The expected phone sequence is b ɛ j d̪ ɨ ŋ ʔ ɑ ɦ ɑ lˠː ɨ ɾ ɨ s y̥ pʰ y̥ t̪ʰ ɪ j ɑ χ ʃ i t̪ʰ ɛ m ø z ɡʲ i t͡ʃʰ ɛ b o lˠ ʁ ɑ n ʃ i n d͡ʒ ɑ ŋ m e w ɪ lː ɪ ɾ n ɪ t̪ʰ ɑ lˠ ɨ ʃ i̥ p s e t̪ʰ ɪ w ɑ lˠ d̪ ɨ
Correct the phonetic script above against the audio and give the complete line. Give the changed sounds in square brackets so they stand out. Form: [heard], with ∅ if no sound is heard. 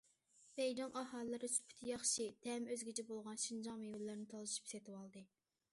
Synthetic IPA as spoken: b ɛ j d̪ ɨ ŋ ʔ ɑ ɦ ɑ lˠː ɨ ɾ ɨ s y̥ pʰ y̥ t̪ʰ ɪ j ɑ χ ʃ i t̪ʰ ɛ m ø z ɡʲ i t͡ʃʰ ɛ b o lˠ ʁ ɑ n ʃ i n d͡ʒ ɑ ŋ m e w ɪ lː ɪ ɾ n ɪ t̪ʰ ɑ lˠ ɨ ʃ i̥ p s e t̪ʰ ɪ w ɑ lˠ d̪ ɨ